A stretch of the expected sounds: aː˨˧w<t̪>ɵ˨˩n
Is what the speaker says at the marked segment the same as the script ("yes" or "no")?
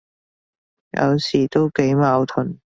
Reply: no